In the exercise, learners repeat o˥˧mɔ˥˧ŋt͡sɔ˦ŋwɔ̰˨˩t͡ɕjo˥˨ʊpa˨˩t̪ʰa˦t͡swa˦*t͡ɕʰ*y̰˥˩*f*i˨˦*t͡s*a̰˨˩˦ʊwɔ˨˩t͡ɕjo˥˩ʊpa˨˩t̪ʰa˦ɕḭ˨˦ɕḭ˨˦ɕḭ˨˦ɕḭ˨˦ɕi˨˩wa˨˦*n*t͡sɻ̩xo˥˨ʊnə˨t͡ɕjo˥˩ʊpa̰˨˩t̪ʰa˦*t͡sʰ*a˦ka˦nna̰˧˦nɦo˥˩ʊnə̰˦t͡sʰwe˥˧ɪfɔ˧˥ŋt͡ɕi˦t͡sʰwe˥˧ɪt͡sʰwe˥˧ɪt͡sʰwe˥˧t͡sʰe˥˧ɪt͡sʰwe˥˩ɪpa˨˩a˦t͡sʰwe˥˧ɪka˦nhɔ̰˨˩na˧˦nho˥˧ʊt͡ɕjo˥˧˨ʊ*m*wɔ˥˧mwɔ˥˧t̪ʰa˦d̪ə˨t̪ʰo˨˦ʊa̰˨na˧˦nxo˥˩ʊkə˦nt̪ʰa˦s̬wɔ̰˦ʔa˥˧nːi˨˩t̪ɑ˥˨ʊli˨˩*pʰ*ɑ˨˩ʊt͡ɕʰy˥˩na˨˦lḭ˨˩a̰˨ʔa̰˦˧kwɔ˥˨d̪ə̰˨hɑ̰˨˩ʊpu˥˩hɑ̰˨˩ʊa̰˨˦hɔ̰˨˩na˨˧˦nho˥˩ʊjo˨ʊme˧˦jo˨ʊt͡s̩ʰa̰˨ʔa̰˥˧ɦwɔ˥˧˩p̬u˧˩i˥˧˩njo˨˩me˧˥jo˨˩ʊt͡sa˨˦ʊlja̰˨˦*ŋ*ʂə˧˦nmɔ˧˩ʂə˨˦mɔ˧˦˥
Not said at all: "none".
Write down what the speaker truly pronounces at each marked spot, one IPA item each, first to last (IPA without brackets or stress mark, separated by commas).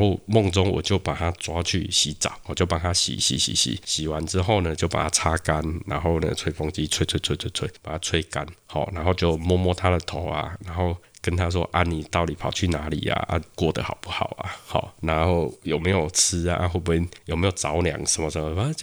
t͡ɕʰ, ɕ, t͡s, n, t͡sʰ, m, pʰ, ŋ